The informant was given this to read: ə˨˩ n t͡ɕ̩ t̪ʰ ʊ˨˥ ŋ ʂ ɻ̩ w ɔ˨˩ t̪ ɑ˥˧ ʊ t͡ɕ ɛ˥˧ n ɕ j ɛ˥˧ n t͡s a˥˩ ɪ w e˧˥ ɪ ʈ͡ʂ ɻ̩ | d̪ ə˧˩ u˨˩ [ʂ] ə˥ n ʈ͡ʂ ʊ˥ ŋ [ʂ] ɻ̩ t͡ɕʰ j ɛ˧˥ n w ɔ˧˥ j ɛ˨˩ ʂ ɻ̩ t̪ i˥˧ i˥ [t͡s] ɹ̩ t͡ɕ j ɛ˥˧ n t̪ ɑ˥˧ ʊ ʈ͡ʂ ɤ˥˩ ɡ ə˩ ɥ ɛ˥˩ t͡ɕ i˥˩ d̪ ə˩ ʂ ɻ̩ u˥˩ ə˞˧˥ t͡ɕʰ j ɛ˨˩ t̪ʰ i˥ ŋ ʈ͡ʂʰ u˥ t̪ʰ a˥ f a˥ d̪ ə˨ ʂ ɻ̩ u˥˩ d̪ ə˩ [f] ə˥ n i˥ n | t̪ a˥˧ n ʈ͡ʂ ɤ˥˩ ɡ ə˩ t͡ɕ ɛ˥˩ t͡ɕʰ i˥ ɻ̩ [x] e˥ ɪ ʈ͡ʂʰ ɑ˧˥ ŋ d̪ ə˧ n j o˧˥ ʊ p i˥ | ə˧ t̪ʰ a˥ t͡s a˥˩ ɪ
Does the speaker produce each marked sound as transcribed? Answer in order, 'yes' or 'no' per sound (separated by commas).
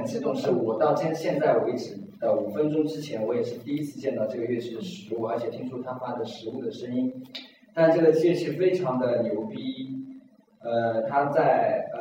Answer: no, no, no, no, no